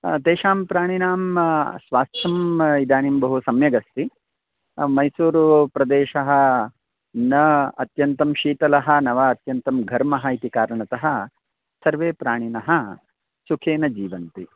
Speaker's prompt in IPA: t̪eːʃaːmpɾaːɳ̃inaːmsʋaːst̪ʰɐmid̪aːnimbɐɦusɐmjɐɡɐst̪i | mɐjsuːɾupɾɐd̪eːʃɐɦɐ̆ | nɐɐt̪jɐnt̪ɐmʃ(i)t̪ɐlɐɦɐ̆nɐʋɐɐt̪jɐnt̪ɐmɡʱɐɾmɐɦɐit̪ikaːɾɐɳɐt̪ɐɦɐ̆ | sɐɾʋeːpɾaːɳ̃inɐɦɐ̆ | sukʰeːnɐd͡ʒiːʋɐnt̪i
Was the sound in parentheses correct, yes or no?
no